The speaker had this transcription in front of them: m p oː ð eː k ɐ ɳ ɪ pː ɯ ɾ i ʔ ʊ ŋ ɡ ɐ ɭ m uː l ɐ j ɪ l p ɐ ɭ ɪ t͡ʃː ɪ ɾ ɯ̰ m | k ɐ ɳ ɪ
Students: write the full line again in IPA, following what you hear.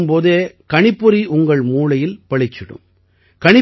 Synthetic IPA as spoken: m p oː ð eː k ɐ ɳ ɪ pː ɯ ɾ i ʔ ʊ ŋ ɡ ɐ ɭ m uː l ɐ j ɪ l p ɐ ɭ ɪ t͡ʃː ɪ ɽ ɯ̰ m | k ɐ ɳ ɪ